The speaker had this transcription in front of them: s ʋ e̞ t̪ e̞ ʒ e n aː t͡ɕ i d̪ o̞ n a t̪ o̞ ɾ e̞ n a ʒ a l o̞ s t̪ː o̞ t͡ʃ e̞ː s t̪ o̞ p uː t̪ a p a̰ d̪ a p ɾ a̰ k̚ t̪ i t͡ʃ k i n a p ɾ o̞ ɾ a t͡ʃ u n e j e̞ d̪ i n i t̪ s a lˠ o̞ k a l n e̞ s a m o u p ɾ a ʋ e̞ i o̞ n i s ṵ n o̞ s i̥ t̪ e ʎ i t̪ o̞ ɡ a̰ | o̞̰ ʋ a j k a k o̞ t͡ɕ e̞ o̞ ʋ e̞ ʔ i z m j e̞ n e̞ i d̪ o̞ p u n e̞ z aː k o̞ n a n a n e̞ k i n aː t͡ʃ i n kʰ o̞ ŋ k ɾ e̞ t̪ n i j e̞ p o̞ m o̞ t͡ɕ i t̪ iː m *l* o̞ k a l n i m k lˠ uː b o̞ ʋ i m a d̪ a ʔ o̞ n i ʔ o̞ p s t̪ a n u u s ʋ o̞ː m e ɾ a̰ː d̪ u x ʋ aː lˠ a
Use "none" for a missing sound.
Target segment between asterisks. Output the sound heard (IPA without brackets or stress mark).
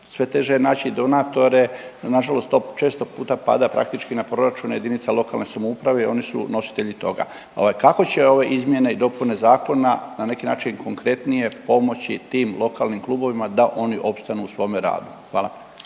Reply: l